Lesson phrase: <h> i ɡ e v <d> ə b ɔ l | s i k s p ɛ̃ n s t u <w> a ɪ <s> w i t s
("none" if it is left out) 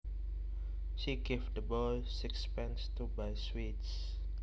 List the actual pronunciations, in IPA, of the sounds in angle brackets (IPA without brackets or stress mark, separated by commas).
ʃ, d, b, s